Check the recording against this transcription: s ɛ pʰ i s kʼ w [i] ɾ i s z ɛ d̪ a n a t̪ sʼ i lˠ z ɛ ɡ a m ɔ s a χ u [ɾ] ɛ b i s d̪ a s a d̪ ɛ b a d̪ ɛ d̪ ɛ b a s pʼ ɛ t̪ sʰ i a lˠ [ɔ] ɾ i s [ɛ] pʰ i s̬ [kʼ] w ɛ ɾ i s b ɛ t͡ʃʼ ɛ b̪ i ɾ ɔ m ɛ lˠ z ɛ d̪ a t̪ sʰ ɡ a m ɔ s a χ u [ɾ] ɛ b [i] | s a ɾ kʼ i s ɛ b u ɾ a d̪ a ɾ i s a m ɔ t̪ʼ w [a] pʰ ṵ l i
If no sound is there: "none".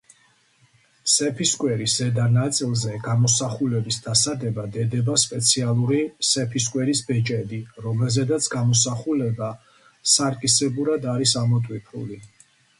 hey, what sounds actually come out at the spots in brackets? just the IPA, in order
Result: ɛ, l, u, ɛ, kʼ, l, a, i

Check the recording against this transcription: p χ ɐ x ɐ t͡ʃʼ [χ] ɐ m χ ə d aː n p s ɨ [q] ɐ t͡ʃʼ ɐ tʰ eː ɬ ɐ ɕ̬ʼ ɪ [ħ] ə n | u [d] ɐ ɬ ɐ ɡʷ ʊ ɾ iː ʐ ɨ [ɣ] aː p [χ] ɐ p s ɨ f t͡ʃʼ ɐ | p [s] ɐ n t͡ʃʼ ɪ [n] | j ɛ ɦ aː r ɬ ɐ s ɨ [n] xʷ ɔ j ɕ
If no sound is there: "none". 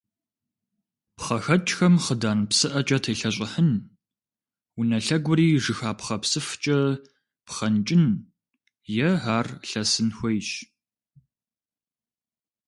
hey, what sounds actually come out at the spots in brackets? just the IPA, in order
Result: x, ʔ, ħ, n, x, χ, χ, n, n

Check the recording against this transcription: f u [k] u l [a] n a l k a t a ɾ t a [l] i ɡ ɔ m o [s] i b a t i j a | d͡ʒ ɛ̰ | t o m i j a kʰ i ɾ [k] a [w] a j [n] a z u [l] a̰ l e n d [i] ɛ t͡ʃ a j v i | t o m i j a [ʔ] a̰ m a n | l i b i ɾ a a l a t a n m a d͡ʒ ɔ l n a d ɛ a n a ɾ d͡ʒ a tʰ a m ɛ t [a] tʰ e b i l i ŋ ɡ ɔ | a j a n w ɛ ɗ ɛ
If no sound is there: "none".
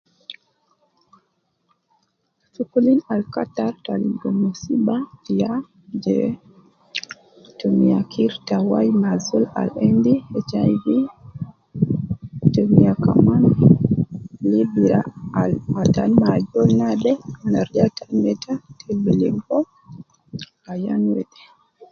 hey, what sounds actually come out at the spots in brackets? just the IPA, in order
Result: k, i, l, s, t, w, m, l, i, k, a

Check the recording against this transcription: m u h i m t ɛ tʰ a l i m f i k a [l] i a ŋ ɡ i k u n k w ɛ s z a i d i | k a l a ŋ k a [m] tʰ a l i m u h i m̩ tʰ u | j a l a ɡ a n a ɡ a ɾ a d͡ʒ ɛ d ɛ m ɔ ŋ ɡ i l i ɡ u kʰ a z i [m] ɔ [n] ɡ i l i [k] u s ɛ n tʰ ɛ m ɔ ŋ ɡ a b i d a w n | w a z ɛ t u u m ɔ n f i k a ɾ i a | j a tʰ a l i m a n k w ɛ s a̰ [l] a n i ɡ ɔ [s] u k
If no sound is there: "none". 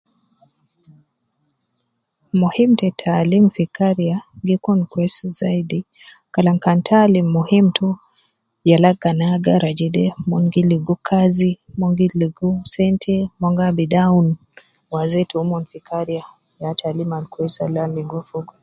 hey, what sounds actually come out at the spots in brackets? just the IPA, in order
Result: ɾ, n, m, ŋ, ɡ, l, f

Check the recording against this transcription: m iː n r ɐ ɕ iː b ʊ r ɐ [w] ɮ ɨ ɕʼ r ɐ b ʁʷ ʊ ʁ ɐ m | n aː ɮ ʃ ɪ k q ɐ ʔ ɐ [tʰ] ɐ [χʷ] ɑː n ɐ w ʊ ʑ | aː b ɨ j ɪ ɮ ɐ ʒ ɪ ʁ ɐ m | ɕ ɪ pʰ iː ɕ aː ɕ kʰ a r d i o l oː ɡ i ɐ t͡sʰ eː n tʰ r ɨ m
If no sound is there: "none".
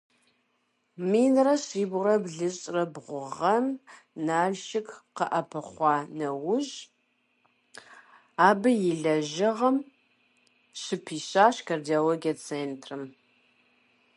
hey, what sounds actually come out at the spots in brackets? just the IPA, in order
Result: b, pʰ, χʷ

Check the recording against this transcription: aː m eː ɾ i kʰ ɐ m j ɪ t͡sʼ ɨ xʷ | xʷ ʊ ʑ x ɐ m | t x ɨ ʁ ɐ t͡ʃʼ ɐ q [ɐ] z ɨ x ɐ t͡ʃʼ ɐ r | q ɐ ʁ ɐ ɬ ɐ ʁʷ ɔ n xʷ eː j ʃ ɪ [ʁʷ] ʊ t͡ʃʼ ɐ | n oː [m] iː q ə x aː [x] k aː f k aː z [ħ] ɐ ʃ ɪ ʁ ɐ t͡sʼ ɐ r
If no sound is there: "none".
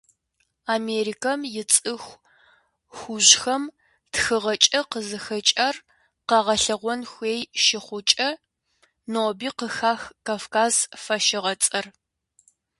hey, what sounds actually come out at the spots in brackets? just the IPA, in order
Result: ə, χʷ, b, x, f

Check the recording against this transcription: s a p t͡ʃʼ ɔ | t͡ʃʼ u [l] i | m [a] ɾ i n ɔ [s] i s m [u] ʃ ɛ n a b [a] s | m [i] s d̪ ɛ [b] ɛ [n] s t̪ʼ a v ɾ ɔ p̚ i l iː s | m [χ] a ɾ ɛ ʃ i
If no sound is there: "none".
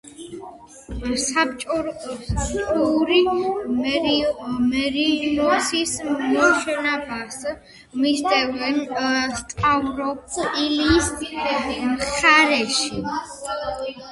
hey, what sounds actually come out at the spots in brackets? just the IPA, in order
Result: ɾ, ɛ, s, ɔ, a, i, v, n, χ

